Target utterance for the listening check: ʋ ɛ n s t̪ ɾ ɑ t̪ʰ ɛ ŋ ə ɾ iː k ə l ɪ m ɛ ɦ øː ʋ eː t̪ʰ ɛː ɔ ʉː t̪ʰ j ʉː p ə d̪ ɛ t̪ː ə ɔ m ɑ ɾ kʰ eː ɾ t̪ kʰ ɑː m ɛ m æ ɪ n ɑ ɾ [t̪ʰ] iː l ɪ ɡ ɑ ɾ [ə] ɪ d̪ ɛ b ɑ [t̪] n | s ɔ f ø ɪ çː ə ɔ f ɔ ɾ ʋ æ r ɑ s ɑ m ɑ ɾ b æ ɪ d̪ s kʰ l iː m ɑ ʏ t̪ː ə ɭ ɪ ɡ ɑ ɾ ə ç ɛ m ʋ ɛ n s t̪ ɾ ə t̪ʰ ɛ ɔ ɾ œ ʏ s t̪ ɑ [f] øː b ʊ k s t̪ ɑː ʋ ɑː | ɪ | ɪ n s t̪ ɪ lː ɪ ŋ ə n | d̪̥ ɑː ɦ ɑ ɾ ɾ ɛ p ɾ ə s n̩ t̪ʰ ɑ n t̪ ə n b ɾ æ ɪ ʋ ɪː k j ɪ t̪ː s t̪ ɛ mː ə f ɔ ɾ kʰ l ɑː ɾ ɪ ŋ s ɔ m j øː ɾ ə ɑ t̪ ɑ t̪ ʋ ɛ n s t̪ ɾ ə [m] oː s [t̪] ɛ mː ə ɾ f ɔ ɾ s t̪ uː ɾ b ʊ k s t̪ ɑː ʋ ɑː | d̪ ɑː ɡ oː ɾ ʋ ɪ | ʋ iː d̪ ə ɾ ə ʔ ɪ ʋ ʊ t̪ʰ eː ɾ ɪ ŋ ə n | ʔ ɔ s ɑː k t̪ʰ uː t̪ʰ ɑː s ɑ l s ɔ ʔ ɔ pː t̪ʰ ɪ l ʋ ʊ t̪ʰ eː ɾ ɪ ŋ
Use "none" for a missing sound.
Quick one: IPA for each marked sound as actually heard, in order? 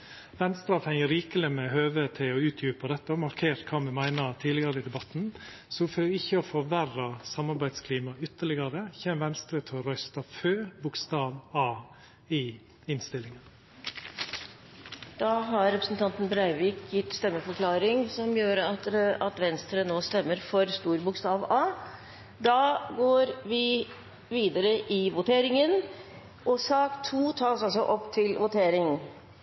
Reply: t̪ʰ, ə, t̪, f, n, t̪

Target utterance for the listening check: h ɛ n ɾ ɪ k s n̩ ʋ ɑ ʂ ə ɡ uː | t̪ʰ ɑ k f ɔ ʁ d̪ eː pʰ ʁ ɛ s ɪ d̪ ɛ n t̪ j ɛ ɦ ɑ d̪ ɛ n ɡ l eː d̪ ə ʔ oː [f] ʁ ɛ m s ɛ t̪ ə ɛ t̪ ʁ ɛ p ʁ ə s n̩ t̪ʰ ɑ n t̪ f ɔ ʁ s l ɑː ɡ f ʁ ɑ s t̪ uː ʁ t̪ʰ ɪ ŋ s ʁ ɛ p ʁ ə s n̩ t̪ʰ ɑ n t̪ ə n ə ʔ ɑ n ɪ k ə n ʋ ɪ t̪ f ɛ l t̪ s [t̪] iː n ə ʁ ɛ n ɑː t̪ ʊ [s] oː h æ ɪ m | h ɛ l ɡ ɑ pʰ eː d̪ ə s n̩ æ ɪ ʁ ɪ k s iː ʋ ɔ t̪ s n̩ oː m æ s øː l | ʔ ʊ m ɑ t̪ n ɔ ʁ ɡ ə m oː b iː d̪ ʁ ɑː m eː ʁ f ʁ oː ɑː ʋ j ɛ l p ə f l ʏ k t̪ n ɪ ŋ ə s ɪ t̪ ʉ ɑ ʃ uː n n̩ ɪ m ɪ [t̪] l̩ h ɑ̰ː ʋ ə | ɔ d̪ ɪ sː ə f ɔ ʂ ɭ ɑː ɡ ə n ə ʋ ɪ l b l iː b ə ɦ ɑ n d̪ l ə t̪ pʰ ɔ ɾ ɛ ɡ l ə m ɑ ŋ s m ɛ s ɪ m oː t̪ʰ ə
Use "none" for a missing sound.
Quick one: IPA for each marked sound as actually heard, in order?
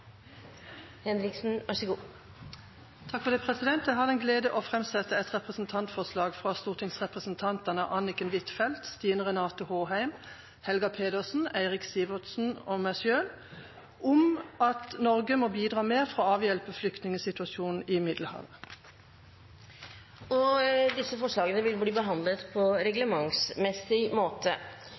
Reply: f, t̪, h, d̪

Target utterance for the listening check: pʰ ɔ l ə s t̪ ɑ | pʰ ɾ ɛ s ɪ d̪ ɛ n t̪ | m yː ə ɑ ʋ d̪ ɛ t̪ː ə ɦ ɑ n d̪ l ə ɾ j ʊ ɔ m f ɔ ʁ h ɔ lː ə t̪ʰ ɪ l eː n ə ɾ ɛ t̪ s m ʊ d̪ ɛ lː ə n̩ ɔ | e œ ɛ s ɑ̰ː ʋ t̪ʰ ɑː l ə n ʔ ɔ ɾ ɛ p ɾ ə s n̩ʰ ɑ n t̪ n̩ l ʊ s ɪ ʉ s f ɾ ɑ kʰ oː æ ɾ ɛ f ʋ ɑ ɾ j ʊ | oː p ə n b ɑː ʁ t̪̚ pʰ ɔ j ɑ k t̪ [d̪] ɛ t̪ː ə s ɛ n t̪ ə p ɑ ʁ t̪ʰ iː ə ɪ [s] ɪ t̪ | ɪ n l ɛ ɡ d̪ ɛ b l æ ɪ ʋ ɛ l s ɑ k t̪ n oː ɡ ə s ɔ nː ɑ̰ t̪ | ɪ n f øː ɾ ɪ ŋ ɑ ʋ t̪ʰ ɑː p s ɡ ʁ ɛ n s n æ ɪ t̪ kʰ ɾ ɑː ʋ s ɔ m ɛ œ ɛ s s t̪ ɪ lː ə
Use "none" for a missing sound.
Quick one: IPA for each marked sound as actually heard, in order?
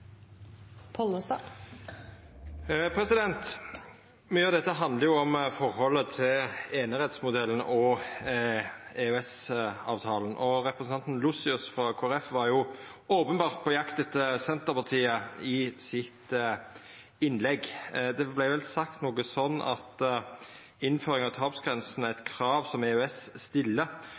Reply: d̪, s

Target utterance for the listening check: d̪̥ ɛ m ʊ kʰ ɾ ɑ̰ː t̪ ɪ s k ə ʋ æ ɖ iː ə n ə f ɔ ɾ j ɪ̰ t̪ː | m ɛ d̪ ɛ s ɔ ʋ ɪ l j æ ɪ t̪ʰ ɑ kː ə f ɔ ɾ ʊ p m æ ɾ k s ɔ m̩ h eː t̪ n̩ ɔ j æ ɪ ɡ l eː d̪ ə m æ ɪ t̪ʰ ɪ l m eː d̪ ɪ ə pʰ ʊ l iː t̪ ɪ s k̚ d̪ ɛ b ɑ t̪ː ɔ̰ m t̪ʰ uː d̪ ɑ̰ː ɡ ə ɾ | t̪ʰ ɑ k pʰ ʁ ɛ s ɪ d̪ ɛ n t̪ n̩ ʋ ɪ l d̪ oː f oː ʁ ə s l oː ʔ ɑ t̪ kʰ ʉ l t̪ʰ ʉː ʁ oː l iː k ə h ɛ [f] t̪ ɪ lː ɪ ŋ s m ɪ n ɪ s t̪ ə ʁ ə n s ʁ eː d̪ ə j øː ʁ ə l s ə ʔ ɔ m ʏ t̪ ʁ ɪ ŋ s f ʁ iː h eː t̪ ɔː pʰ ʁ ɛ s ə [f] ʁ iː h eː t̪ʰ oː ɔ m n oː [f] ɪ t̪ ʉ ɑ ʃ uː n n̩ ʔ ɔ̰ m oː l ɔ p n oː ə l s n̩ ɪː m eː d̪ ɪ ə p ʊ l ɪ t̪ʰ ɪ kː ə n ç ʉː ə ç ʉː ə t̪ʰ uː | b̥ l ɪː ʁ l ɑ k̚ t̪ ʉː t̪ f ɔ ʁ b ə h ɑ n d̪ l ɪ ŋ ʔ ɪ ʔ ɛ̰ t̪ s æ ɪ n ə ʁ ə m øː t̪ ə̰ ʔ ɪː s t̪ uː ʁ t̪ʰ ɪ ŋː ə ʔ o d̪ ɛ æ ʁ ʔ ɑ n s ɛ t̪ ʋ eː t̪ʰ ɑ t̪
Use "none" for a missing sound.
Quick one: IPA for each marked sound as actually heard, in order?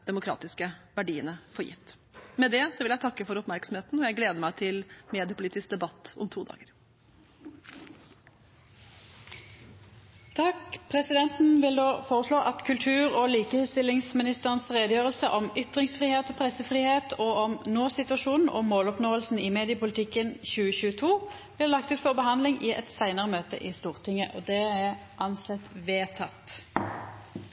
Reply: s, f, s

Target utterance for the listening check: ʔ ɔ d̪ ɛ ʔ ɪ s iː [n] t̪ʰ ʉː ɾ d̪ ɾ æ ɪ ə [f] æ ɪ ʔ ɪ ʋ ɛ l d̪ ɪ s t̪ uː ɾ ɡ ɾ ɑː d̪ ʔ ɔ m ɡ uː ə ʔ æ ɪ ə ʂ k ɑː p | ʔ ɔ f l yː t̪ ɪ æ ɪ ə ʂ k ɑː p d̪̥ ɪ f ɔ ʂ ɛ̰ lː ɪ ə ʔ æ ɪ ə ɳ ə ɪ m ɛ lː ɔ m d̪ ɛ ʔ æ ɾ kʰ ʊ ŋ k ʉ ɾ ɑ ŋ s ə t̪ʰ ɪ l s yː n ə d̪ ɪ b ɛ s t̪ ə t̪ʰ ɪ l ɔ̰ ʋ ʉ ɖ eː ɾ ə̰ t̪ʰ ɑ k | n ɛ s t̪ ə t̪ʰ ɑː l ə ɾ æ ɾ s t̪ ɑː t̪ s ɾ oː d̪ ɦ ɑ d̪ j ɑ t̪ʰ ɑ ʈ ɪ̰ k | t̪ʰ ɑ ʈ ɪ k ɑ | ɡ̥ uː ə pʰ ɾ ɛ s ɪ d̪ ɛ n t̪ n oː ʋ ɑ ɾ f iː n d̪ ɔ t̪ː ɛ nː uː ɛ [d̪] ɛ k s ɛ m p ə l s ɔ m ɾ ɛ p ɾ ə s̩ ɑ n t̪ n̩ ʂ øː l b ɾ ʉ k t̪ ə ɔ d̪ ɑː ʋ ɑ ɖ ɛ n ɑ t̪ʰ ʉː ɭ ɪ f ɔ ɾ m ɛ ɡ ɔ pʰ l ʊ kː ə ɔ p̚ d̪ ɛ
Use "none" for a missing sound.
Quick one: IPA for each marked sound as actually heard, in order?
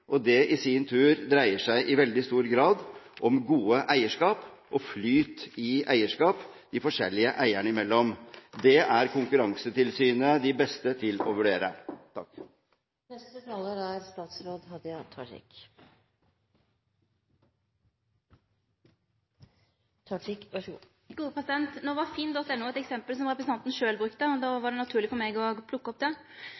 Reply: n, ʂ, t̪

